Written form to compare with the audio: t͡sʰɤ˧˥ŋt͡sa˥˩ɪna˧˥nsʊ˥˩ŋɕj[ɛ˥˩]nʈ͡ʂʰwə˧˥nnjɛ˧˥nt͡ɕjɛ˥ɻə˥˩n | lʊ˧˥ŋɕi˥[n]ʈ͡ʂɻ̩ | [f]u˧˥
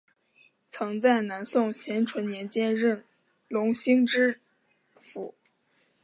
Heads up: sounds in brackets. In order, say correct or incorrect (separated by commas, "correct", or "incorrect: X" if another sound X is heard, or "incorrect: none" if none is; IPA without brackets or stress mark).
incorrect: ɛ˧˥, incorrect: ŋ, correct